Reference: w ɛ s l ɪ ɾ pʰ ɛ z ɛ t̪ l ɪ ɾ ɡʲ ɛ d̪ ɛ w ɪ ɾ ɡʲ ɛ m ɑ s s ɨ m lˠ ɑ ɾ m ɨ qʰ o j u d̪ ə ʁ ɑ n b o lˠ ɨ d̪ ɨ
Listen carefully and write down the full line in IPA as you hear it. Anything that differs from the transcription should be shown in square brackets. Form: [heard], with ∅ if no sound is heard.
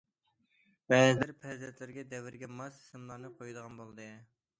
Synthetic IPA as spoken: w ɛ [z] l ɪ ɾ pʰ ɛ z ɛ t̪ l ɪ ɾ ɡʲ ɛ d̪ ɛ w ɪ ɾ ɡʲ ɛ m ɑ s s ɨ m lˠ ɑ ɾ [n] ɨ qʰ o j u d̪ ə ʁ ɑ n b o lˠ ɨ d̪ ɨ